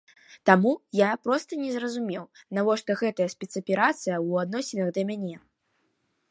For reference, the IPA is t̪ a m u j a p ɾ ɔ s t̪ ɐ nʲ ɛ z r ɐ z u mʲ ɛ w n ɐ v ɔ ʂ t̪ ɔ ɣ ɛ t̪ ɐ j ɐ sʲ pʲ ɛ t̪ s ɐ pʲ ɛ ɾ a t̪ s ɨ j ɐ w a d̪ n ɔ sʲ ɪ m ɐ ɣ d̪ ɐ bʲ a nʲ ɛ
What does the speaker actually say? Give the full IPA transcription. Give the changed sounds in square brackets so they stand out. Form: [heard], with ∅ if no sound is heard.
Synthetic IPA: t̪ a m u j a p ɾ ɔ s t̪ ɐ nʲ ɛ z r ɐ z u mʲ ɛ w n [a] v ɔ ʂ t̪ ɔ ɣ ɛ t̪ ɐ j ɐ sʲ pʲ ɛ t̪ s ɐ pʲ ɛ ɾ a t̪ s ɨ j ɐ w a d̪ n ɔ sʲ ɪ [n] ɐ ɣ d̪ ɐ [mʲ] a nʲ ɛ